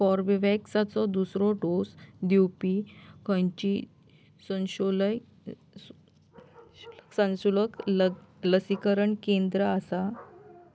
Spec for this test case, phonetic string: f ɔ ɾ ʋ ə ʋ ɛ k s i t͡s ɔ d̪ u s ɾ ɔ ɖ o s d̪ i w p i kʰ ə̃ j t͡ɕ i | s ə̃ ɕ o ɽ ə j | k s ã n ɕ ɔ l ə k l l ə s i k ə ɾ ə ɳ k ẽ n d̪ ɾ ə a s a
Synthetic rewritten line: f ɔ ɾ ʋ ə ʋ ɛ k s a t͡s ɔ d̪ u s ɾ ɔ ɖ o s d̪ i w p i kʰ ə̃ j t͡ɕ i | s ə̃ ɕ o l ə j | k s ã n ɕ u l ə k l l ə s i k ə ɾ ə ɳ k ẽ n d̪ ɾ ə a s a